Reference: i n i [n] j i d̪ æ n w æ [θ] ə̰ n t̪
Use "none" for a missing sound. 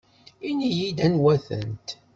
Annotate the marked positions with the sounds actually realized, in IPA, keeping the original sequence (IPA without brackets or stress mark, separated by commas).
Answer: none, θ